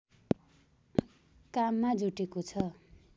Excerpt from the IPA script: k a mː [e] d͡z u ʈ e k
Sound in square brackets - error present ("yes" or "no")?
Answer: yes